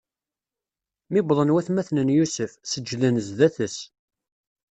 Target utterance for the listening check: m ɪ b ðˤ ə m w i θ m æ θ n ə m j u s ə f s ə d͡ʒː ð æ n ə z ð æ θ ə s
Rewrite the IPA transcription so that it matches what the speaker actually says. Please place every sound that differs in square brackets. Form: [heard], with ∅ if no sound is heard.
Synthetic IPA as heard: m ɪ b ðˤ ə [n] w [æ] θ m æ θ n ə [n] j u s ə f s ə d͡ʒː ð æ n ə z ð æ θ ə s